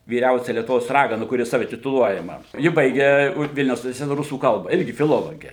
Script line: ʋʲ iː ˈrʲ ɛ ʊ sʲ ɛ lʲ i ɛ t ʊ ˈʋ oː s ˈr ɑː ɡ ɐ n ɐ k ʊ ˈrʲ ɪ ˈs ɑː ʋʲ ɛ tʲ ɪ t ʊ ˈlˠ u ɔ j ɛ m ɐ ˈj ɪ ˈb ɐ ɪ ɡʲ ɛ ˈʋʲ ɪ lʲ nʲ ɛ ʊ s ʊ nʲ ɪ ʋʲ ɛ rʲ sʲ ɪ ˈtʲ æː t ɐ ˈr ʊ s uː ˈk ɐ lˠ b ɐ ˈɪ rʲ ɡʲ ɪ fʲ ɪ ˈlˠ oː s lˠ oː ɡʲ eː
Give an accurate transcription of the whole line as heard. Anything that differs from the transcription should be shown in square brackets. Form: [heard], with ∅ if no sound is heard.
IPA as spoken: ʋʲ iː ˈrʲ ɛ ʊ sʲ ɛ lʲ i ɛ t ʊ ˈʋ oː s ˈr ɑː ɡ ɐ n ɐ k ʊ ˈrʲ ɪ ˈs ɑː ʋʲ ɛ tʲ ɪ t ʊ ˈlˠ u ɔ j ɛ m ɐ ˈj ɪ ˈb ɐ ɪ ɡʲ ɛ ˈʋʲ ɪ lʲ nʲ ɛ ʊ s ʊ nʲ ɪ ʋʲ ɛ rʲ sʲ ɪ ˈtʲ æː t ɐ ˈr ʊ s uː ˈk ɐ lˠ b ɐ ˈɪ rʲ ɡʲ ɪ fʲ ɪ ˈlˠ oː [∅] lˠ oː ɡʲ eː